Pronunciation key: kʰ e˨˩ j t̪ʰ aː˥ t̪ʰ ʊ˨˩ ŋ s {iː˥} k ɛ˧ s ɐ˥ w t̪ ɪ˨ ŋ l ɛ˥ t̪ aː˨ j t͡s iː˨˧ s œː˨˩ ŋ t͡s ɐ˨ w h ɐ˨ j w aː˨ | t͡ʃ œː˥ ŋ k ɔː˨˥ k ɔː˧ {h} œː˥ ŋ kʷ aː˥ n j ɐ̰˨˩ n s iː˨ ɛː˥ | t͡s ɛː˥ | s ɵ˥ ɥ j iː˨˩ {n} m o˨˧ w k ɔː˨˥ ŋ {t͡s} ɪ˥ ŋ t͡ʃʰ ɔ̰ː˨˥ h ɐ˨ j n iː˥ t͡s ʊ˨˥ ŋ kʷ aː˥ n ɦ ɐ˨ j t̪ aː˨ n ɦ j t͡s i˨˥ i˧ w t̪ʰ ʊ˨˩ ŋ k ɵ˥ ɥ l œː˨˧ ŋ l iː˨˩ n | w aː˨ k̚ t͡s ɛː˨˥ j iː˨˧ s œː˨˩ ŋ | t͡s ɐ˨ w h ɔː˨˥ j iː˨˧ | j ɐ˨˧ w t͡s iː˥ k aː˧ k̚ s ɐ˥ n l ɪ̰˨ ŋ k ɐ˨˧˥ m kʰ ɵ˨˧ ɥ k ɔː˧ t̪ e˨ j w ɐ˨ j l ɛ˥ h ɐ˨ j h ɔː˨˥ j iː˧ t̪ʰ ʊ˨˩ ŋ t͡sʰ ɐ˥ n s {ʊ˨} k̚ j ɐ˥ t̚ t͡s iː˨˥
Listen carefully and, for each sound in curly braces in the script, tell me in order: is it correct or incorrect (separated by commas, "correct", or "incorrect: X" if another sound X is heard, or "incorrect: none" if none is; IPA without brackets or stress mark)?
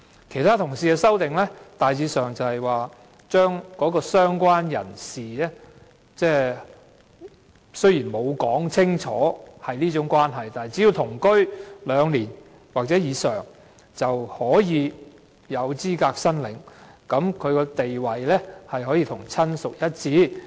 incorrect: iː˨, incorrect: s, correct, incorrect: t͡sʰ, correct